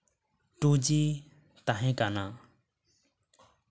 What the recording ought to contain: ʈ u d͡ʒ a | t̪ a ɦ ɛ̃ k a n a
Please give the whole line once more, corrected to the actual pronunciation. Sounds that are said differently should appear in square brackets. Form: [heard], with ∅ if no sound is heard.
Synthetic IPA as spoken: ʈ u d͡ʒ [i] | t̪ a ɦ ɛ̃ k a n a